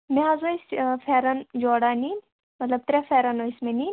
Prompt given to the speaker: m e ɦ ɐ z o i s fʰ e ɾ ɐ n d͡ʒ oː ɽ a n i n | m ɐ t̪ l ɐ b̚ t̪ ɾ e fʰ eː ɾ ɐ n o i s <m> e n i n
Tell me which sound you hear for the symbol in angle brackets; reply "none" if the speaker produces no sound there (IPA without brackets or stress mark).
m